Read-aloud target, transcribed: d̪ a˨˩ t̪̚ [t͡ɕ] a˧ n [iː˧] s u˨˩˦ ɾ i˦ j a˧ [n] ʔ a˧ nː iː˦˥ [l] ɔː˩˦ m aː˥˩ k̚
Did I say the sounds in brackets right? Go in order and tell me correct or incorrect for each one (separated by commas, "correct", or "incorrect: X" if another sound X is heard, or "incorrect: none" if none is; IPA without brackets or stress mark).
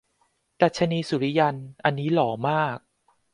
incorrect: t͡ɕʰ, correct, correct, correct